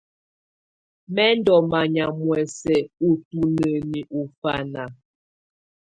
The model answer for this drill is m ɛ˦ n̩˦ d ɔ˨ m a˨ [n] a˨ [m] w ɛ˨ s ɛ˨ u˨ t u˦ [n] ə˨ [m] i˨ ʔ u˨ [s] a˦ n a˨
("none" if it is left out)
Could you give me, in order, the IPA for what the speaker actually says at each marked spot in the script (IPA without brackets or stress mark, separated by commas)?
ɲ, m, n, n, f